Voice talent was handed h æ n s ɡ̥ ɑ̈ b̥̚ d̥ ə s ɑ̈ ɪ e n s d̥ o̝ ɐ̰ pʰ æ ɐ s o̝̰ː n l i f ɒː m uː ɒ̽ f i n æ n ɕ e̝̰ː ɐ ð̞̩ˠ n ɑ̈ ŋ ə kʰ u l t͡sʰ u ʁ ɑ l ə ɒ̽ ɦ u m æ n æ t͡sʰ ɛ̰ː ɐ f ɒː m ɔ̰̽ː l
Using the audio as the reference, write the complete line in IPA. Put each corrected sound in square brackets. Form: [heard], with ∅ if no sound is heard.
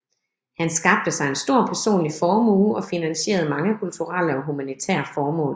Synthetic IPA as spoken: h æ n s ɡ̥ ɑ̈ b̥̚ d̥ ə s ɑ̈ ɪ e n s d̥ o̝ ɐ̰ pʰ æ ɐ s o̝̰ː n l i f ɒː m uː ɒ̽ f i n æ n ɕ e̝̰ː ɐ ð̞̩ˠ [m] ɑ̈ ŋ ə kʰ u l t͡sʰ u ʁ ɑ l ə ɒ̽ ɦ u m æ n [i] t͡sʰ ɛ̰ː ɐ f ɒː m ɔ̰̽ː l